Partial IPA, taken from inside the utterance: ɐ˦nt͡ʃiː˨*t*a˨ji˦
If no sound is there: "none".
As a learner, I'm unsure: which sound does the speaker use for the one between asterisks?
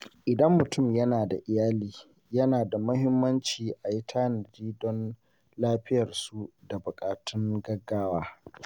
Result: ʔ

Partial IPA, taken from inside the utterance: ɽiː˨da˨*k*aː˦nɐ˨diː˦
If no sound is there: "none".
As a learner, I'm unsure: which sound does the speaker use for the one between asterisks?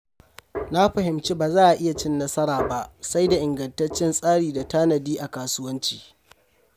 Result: t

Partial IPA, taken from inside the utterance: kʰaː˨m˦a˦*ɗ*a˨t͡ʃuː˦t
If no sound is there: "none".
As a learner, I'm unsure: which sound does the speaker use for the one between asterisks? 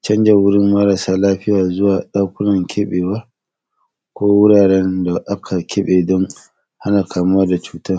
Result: d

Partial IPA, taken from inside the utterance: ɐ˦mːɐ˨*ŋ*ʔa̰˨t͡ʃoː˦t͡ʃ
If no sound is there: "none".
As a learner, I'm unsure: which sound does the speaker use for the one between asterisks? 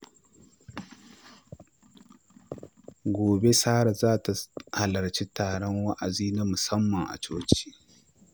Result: ŋ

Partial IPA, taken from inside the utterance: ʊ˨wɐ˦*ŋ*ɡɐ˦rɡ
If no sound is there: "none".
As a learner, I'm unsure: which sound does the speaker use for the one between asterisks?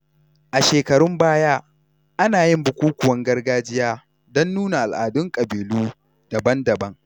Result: ŋ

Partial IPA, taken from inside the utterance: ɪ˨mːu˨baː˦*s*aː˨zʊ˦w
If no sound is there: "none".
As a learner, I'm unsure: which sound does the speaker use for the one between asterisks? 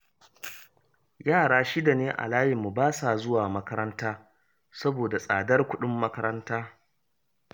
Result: s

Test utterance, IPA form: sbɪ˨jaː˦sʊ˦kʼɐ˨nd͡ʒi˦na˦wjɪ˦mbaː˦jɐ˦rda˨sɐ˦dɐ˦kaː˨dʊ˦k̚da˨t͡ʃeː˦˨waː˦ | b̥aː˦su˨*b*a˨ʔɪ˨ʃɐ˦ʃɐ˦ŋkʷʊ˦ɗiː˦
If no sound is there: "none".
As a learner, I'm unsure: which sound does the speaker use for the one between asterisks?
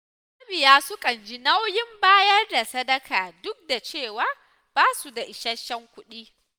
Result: d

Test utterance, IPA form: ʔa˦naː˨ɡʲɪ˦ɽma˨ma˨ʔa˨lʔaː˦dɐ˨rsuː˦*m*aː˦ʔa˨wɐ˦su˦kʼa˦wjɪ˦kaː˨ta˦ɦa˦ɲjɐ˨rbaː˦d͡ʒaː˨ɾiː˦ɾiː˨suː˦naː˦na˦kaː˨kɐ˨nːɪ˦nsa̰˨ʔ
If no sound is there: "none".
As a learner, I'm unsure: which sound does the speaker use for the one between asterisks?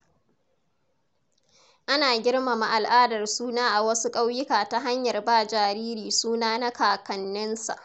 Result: n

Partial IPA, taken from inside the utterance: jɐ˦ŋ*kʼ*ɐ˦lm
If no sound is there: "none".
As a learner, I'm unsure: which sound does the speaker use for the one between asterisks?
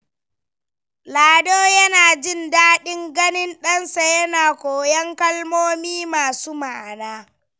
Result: k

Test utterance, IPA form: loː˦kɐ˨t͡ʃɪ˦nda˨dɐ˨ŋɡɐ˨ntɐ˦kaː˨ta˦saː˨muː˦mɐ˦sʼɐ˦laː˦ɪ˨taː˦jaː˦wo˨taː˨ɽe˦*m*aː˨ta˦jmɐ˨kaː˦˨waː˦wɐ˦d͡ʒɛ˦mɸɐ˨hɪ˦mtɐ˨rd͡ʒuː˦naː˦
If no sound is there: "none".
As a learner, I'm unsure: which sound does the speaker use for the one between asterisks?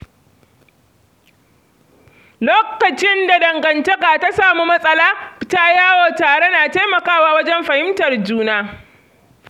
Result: n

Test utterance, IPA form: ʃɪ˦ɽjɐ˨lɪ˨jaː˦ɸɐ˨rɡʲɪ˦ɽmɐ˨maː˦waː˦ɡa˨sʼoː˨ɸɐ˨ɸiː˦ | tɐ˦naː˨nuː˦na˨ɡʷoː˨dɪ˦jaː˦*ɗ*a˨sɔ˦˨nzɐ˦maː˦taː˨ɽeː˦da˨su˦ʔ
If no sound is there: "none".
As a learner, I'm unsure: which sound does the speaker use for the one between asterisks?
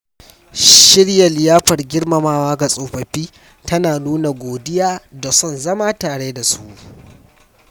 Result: d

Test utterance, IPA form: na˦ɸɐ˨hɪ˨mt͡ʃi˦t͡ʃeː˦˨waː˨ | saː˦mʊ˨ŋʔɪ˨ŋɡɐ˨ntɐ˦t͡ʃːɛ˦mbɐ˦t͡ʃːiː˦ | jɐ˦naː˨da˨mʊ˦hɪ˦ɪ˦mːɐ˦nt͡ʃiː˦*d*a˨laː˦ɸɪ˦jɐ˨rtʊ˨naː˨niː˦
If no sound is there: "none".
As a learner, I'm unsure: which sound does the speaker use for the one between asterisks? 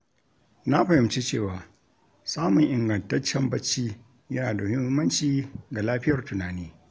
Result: ɡ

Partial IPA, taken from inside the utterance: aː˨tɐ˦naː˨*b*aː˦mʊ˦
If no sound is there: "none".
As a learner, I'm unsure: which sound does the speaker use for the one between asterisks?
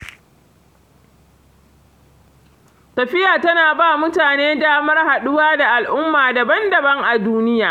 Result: b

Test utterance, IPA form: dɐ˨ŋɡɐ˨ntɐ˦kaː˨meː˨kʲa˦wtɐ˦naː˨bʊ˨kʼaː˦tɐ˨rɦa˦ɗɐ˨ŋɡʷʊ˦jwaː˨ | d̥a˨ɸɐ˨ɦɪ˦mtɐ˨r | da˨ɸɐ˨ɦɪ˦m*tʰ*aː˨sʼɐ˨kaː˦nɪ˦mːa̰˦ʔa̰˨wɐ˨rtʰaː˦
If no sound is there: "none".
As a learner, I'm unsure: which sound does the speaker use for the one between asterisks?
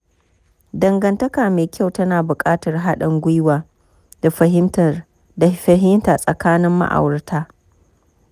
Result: t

